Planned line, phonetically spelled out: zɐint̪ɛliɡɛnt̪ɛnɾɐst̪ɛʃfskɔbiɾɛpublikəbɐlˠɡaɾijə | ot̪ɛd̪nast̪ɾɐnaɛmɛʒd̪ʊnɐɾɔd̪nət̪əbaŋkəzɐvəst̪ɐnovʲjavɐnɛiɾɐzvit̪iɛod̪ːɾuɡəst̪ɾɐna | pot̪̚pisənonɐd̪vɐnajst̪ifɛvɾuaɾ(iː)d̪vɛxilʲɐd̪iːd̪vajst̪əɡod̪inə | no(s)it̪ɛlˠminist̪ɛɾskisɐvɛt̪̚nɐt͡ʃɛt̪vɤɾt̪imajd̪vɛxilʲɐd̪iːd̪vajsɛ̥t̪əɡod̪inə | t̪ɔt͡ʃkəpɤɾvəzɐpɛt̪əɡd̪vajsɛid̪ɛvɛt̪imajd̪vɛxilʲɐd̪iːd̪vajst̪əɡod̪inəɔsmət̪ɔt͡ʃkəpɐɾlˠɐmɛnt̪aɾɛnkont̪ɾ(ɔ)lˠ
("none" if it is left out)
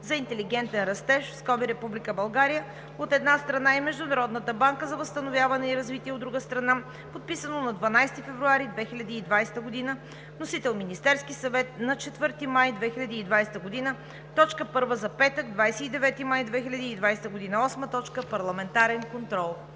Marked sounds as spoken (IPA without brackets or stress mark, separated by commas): i, s, ɔ